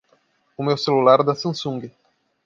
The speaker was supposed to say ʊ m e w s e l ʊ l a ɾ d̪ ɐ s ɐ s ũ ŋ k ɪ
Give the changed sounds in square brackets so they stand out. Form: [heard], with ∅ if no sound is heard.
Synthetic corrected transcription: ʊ m e w s e l [u] l a ɾ d̪ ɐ s [ɐ̃] s ũ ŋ [ɡ] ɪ